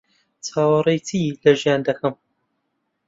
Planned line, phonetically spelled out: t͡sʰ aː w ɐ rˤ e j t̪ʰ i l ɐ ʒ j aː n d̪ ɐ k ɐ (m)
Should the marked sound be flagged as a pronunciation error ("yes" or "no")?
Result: no